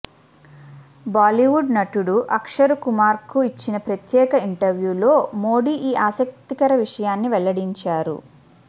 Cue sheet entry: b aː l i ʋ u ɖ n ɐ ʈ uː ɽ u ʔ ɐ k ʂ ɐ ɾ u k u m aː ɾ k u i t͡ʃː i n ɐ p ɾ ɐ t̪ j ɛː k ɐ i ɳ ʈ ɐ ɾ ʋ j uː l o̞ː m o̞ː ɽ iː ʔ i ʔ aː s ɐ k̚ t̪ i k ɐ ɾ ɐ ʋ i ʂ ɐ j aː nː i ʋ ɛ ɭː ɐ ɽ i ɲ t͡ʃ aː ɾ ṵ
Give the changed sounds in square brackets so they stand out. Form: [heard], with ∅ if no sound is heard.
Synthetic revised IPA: b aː l i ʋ u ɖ n ɐ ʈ [u] ɽ u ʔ ɐ k ʂ ɐ ɾ u k u m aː ɾ k u i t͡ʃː i n ɐ p ɾ ɐ t̪ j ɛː k ɐ i ɳ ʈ ɐ ɾ ʋ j uː l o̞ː m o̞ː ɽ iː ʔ [iː] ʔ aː s ɐ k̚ t̪ i k ɐ ɾ ɐ ʋ i ʂ ɐ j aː nː i ʋ ɛ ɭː ɐ ɽ i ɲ t͡ʃ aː ɾ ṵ